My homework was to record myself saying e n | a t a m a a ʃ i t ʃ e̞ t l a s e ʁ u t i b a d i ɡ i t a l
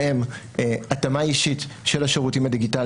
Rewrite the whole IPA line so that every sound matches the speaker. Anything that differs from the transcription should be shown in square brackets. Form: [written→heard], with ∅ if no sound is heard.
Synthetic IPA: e [n→m] | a t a m a [a→i] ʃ i t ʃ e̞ [t→∅] l a [s→ʃ] e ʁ u t i [b→m] a d i ɡ i t a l

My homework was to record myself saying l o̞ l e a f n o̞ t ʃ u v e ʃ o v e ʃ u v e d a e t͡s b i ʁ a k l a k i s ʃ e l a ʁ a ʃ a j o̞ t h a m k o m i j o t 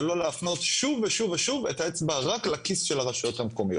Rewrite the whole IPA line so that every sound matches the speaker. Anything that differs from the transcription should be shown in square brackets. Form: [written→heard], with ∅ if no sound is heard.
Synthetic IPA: l o̞ l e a f n o̞ t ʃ u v e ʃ [o→u] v e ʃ u v e [d→t] a e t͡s b [i→a] ʁ a k l a k i s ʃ e l a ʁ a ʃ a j o̞ t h a m k o m i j o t

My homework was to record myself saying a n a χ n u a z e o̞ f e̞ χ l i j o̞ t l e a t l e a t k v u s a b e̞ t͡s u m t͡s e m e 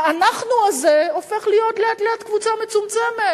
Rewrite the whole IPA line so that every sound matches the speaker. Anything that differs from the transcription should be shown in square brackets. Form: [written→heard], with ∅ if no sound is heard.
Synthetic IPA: a n a χ n u a z e o̞ f e̞ χ l i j o̞ t l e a t l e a t k v u [s→t͡s] a [b→m] e̞ t͡s u m t͡s e m e

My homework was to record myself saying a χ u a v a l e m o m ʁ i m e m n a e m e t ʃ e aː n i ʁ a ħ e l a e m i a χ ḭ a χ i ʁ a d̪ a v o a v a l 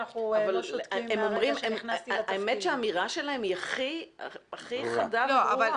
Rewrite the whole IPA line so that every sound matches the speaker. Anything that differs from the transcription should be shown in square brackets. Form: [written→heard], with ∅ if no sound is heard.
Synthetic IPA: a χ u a v a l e m o m ʁ i m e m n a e m e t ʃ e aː [n→m] i ʁ a [ħ→ʃ] e l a e m i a χ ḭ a χ i [ʁ→χ] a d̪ a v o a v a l

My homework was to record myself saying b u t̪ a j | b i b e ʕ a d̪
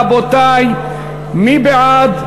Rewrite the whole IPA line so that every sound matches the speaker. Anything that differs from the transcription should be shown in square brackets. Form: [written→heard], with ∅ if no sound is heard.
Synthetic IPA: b [u→o] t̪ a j | [b→m] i b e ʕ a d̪

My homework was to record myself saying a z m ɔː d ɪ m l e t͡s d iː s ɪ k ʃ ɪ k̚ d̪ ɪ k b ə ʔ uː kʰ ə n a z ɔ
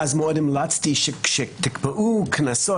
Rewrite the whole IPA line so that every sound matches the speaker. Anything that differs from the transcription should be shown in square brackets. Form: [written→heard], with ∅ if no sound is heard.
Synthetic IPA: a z m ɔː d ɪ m l [e→a] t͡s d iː [s→ʃ] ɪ k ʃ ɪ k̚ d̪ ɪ k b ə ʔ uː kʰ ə n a [z→s] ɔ

